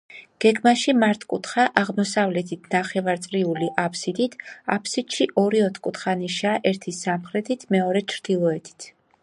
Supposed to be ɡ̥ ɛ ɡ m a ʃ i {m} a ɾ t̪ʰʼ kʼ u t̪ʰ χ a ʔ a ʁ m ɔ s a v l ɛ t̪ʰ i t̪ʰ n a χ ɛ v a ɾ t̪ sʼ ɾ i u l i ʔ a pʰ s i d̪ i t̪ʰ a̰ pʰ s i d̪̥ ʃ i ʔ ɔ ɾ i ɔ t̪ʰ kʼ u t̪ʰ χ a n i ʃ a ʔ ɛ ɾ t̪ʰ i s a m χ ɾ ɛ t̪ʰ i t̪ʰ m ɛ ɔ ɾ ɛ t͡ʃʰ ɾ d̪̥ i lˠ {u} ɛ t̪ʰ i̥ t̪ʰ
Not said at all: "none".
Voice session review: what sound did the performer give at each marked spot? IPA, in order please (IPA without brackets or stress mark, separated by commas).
m, ɔ